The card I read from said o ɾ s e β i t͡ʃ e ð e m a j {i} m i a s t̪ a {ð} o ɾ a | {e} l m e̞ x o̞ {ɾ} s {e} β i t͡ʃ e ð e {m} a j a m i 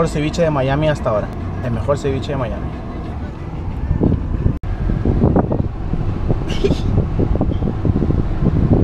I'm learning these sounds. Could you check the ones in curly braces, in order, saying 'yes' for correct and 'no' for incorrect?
no, no, yes, yes, yes, yes

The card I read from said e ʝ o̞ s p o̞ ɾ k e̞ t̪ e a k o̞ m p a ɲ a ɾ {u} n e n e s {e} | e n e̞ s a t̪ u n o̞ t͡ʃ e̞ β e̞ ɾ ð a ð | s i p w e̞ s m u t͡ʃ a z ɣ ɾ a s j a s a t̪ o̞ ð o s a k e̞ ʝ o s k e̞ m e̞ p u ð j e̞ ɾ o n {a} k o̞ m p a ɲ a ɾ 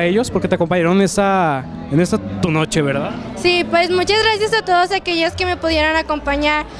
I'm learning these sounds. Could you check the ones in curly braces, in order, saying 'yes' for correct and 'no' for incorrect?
no, no, yes

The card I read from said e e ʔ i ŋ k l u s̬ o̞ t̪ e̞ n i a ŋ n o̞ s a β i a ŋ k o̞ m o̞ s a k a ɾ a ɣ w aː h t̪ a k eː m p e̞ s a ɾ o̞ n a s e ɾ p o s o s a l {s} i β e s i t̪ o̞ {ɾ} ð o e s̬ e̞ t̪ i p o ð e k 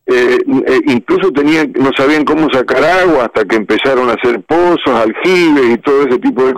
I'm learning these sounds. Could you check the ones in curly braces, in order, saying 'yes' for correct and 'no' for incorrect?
no, no

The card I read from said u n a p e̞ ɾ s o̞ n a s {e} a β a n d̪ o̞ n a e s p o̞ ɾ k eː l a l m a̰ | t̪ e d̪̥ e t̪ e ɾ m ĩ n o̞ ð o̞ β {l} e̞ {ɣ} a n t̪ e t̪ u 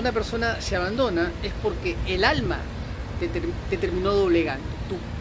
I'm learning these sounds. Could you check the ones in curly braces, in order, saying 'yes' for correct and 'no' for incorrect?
yes, yes, yes

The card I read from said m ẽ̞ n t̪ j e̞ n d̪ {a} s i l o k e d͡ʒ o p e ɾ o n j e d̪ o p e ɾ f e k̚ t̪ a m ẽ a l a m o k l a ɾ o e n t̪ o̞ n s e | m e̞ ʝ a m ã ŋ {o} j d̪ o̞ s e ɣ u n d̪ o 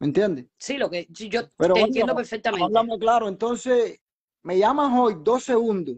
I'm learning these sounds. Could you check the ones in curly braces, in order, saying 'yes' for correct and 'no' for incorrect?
no, yes

